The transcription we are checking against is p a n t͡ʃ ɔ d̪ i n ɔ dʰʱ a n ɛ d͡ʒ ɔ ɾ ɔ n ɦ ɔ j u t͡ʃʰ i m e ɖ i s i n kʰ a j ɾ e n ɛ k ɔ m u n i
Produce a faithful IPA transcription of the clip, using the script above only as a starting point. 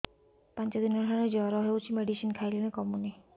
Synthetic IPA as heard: p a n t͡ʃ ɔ d̪ i n ɔ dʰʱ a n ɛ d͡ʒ ɔ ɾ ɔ ɦ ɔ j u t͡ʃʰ i m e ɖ i s i n kʰ a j l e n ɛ k ɔ m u n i